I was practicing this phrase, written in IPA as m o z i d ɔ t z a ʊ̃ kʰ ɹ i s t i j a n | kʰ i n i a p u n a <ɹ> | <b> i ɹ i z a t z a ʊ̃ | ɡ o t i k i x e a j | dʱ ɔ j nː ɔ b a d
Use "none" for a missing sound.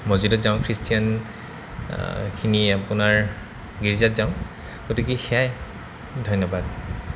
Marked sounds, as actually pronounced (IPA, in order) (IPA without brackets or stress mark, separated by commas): ɹ, ɡ